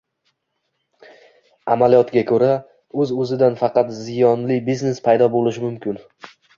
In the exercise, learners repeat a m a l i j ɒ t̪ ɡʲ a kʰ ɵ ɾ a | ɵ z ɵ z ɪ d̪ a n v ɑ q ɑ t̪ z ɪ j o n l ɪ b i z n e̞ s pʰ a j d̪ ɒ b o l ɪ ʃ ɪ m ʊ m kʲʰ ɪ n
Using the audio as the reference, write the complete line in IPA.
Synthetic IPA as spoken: a m a l i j ɒ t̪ ɡʲ a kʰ ɵ ɾ a | ɵ z ɵ z ɪ d̪ a n f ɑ q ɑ t̪ z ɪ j ɒ n l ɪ b i z n e̞ s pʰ a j d̪ ɒ b o l ɪ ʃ ɪ m ʊ m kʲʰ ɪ n